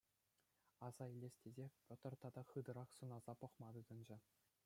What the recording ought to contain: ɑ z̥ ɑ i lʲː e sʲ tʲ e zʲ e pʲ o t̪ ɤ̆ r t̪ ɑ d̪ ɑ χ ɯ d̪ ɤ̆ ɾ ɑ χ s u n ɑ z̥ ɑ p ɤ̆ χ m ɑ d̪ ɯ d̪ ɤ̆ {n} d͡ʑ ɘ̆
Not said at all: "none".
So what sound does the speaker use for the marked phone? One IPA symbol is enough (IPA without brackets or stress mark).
n